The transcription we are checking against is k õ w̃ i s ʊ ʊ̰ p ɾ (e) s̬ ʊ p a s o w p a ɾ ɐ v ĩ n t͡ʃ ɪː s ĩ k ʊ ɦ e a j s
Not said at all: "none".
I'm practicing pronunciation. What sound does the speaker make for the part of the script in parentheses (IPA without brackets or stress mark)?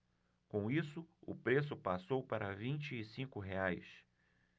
e